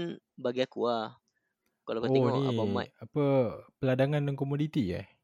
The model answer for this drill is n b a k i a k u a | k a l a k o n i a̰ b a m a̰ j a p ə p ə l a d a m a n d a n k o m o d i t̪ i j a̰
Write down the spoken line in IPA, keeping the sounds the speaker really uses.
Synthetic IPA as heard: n b a ɡ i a k u a | k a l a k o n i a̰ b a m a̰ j a p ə p ə l a d a ŋ a n d a ŋ k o m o d i t̪ i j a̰